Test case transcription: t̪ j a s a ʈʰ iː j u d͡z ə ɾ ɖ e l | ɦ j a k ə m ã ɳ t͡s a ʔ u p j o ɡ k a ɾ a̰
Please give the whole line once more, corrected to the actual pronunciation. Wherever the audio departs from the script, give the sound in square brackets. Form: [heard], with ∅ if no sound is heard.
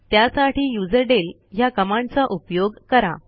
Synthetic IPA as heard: t̪ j a s a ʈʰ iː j u d͡z ə ɾ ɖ e l | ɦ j a k ə m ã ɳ t͡s a ʔ u p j o ɡ k [ə] ɾ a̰